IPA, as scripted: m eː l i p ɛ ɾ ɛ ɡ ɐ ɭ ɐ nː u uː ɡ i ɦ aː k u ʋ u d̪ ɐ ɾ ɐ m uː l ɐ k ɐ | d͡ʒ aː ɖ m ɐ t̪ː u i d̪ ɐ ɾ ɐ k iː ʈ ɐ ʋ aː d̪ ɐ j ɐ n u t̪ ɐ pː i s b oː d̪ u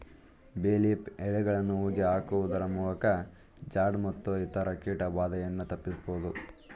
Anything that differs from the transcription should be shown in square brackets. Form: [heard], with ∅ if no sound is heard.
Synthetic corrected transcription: [b] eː l i p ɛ [ɭ] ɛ ɡ ɐ ɭ ɐ nː u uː ɡ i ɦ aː k u ʋ u d̪ ɐ ɾ ɐ m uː l ɐ k ɐ | d͡ʒ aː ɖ m ɐ t̪ː u i [t̪] ɐ ɾ ɐ k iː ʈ ɐ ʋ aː d̪ ɐ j ɐ [nː] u t̪ ɐ pː i s b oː d̪ u